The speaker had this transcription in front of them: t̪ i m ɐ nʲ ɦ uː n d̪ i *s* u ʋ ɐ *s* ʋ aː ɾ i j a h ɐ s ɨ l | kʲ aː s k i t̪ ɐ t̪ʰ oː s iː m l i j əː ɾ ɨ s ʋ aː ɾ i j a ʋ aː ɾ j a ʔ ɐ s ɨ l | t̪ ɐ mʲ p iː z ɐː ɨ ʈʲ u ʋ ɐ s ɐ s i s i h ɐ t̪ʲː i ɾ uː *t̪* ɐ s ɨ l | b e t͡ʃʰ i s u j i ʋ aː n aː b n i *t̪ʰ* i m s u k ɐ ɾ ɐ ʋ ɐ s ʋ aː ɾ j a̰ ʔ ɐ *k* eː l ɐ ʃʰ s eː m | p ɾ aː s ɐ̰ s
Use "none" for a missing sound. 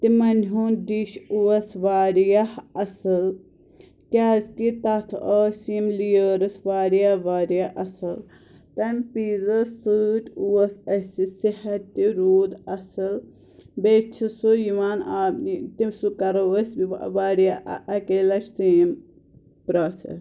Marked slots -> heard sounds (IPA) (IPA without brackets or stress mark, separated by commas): ʃ, s, d̪, t̪, k